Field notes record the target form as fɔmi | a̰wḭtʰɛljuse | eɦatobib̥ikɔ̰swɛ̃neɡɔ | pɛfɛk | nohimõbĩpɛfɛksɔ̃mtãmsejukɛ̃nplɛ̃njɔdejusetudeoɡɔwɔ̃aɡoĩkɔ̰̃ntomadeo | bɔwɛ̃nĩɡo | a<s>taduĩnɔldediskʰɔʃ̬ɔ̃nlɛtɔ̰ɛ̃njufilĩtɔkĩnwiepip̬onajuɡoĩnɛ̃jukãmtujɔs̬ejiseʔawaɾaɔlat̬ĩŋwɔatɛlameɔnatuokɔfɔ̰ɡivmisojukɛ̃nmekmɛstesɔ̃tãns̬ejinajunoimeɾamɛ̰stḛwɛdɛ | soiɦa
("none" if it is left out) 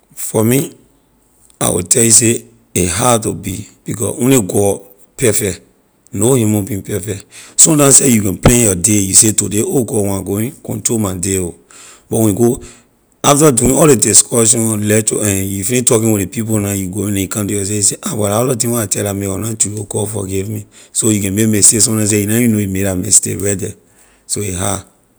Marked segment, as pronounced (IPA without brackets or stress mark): f